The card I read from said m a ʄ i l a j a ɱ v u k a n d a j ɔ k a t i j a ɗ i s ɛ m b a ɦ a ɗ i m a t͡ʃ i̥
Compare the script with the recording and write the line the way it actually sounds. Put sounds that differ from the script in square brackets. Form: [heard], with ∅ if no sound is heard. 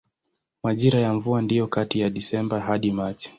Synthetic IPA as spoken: m a ʄ i [ɾ] a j a ɱ v u [∅] a n d [i] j ɔ k a t i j a ɗ i s ɛ m b a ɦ a ɗ i m a t͡ʃ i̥